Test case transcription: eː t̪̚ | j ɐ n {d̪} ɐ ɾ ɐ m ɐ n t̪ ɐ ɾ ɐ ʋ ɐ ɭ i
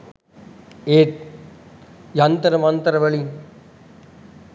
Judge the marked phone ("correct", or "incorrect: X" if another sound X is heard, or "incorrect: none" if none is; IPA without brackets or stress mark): incorrect: t̪